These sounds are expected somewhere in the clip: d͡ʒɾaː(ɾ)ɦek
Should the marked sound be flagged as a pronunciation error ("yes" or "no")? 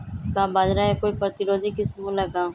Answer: yes